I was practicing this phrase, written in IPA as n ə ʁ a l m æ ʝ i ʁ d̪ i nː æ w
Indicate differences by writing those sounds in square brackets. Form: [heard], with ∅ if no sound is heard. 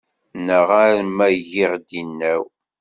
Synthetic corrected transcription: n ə ʁ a [ɾ] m æ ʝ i ʁ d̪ i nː æ w